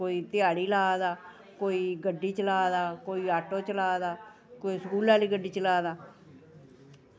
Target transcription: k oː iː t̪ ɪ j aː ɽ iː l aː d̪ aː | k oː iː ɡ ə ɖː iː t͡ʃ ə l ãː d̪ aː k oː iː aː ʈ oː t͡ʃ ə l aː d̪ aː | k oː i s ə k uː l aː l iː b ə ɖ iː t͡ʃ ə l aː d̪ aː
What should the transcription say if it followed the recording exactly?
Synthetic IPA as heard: k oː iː t̪ ɪ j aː ɽ iː l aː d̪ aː | k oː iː ɡ ə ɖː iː t͡ʃ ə l aː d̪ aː k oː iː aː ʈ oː t͡ʃ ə l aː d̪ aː | k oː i s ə k uː l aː l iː ɡ ə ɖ iː t͡ʃ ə l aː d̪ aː